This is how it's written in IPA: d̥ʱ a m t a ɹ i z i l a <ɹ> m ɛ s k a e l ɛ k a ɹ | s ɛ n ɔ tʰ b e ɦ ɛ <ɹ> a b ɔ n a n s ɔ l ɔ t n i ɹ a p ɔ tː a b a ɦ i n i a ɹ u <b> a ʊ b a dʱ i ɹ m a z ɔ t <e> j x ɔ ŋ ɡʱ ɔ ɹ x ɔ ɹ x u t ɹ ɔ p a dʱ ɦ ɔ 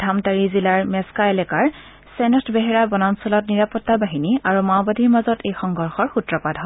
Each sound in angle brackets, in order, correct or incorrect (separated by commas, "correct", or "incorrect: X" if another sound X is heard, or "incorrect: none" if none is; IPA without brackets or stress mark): correct, correct, incorrect: m, correct